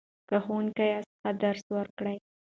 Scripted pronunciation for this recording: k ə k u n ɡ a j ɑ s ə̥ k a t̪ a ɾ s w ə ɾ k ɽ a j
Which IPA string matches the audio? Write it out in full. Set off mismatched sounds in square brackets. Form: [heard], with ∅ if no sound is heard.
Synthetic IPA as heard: k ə [x] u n [k] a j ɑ s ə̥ [x] a [d̪] a ɾ s w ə ɾ k ɽ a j